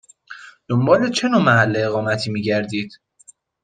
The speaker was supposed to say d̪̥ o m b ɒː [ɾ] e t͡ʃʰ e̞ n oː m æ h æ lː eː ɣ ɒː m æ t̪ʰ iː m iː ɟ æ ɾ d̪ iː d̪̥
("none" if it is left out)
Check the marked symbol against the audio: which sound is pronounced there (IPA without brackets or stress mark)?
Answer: l